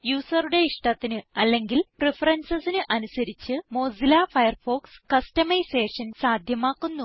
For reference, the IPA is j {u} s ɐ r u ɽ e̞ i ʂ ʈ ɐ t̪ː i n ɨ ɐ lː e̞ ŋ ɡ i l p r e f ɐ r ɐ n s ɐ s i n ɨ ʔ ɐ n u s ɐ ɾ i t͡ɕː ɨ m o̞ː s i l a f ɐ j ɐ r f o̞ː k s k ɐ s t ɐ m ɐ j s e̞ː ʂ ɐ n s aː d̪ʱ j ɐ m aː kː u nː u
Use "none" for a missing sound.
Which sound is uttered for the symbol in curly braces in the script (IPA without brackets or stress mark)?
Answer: uː